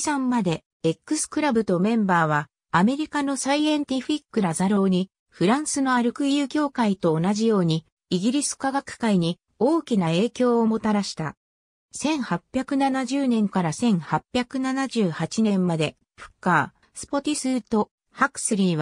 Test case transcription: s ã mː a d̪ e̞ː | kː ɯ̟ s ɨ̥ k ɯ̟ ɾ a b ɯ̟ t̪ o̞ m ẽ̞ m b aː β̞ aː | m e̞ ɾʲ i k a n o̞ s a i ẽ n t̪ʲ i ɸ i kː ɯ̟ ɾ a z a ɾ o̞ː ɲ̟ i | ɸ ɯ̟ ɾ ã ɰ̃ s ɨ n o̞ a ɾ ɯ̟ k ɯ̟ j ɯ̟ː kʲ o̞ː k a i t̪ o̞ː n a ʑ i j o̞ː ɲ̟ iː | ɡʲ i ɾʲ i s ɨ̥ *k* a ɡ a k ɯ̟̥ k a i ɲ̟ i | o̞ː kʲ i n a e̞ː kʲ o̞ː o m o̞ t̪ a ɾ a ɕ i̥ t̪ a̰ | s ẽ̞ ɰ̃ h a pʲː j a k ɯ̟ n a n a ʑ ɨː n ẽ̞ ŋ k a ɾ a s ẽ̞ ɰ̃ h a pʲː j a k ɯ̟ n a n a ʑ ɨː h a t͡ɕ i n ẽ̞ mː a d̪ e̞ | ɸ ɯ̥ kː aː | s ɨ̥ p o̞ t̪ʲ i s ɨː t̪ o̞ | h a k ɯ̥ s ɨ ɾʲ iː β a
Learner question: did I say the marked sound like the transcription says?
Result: yes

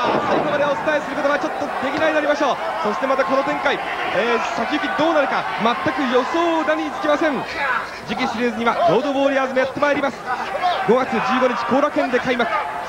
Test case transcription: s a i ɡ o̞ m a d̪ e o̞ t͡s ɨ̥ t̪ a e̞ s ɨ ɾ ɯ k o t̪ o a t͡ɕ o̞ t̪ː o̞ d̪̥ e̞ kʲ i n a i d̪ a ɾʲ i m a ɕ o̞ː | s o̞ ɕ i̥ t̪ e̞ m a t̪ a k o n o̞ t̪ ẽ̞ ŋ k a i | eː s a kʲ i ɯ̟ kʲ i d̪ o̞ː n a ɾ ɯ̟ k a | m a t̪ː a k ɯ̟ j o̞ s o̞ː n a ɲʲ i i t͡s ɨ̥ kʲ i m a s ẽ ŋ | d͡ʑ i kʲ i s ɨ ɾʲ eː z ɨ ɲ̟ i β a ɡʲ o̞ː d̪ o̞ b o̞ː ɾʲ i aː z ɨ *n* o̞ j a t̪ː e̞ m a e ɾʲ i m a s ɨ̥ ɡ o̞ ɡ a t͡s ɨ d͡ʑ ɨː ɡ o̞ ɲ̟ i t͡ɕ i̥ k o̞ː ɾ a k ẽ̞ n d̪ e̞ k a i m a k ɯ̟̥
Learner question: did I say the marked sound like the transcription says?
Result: no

